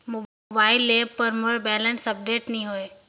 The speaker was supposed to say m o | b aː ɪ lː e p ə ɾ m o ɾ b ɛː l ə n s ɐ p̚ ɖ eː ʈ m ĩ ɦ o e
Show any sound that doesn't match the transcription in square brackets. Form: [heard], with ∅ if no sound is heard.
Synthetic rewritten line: m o | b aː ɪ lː e p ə ɾ m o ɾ b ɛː l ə n s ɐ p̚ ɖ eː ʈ [n] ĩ ɦ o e

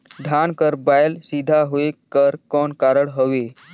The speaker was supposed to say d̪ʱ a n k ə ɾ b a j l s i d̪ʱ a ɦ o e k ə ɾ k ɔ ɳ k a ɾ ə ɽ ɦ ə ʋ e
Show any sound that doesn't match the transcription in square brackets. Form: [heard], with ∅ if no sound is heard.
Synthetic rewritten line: d̪ʱ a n k ə ɾ b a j l s i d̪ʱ a ɦ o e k ə ɾ k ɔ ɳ k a ɾ ə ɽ ɦ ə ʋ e

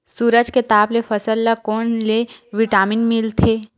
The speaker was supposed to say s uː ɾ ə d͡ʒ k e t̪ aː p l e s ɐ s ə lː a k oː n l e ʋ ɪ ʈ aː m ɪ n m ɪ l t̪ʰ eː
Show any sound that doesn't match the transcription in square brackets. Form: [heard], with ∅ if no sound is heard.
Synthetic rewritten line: s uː ɾ ə d͡ʒ k e t̪ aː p l e [f] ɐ s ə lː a k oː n l e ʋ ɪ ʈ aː m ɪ n m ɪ l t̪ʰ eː

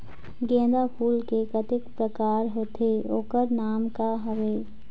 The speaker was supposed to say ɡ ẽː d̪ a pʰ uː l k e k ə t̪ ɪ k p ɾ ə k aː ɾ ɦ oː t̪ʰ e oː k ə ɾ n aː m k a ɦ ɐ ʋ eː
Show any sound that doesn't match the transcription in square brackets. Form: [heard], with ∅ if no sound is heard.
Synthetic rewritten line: ɡ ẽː d̪ a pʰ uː l k e k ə t̪ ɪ k p ɾ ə k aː ɾ ɦ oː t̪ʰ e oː k ə ɾ n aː m k a ɦ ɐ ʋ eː

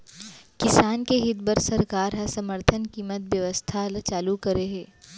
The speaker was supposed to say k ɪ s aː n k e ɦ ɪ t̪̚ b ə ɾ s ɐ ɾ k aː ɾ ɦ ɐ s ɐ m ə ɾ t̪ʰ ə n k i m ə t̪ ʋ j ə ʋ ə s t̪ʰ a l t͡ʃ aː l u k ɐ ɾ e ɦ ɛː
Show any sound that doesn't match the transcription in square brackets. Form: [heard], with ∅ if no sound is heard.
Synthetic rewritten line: k ɪ s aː n k e ɦ ɪ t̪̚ b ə ɾ s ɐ ɾ k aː ɾ ɦ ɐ s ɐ m ə ɾ t̪ʰ ə n k [iː] m ə t̪ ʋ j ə ʋ ə s t̪ʰ a l t͡ʃ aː l u k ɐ ɾ e ɦ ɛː

